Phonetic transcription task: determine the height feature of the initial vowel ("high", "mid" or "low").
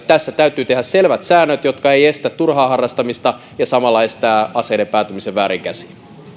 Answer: low